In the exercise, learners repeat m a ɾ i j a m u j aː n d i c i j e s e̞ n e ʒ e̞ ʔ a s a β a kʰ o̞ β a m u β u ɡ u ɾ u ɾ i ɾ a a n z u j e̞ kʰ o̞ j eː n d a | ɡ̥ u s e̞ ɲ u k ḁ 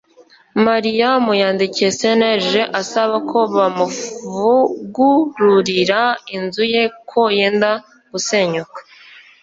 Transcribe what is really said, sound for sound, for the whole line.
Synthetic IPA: m a ɾ i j a m u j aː n d i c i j e s e̞ n e ʒ e̞ ʔ a s a β a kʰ o̞ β a m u v u ɡ u ɾ u ɾ i ɾ a i n z u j e̞ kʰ o̞ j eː n d a | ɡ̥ u s e̞ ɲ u k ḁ